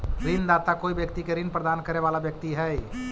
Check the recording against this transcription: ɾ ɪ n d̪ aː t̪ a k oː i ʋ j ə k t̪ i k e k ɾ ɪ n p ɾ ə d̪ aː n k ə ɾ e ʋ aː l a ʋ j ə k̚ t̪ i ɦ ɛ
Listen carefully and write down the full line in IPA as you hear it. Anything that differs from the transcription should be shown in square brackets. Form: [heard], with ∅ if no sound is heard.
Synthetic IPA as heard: ɾ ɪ n d̪ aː t̪ a k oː i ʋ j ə k t̪ i k e [∅] ɾ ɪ n p ɾ ə d̪ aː n k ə ɾ e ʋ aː l a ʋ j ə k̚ t̪ i ɦ ɛ